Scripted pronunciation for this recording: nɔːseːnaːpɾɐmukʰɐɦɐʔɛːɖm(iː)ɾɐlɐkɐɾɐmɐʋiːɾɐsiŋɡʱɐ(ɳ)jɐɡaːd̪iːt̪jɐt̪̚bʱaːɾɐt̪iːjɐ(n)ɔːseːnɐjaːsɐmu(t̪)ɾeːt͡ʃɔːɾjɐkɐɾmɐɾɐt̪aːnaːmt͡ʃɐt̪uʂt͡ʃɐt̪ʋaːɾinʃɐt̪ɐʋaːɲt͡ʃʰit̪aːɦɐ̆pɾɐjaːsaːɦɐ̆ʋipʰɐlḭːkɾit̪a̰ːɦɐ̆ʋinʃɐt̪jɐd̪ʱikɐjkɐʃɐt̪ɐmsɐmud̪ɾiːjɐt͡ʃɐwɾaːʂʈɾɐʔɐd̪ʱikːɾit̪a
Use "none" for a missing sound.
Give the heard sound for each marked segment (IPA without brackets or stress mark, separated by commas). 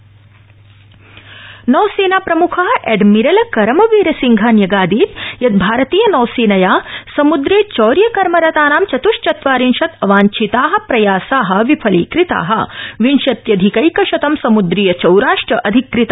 i, n, n, d̪